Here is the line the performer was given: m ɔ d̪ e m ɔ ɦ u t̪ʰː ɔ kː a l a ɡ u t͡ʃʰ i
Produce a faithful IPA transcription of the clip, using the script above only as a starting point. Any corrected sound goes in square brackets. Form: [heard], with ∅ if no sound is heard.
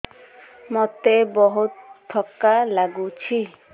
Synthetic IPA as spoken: m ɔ [t̪] e [b] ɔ ɦ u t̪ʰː ɔ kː a l a ɡ u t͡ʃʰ i